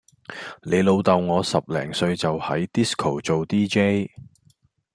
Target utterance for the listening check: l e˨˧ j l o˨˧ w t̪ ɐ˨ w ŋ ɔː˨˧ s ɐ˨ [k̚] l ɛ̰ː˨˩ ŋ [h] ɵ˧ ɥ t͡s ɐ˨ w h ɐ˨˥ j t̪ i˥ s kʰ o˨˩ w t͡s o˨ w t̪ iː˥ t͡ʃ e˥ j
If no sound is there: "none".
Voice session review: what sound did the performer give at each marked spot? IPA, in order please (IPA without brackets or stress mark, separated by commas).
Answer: p̚, s